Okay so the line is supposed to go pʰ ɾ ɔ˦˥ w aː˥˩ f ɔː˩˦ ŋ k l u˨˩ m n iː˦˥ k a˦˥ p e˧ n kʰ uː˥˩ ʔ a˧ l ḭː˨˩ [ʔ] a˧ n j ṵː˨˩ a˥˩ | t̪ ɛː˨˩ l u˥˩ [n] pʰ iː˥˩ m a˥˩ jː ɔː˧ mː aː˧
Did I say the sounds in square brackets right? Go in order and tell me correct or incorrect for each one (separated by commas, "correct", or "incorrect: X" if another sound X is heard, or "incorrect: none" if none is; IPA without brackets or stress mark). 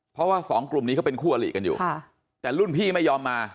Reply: incorrect: k, correct